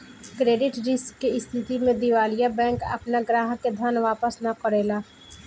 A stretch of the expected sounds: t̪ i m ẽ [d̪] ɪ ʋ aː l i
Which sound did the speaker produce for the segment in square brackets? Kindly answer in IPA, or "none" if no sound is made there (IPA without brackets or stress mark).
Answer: d̪